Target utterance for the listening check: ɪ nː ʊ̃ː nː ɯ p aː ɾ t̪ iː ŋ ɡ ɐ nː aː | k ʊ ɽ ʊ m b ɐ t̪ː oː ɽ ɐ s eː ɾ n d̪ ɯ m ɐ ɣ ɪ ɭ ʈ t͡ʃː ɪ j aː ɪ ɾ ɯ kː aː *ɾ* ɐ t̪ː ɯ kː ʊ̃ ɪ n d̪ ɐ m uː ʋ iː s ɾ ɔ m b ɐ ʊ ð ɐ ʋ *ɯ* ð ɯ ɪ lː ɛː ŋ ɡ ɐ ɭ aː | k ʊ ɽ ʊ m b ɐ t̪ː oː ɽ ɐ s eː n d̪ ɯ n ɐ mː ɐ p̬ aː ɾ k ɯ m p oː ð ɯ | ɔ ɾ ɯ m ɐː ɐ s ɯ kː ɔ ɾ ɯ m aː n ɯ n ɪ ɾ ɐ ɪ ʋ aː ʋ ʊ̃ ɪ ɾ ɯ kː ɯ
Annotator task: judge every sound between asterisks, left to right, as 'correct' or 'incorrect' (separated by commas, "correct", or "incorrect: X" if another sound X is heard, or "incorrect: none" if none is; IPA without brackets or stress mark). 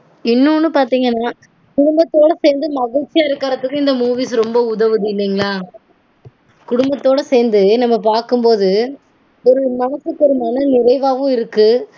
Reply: correct, correct